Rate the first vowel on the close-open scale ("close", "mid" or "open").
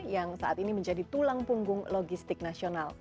open